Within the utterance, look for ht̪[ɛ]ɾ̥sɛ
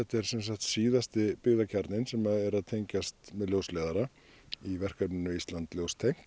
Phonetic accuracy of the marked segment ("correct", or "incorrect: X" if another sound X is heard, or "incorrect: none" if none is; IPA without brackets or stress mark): correct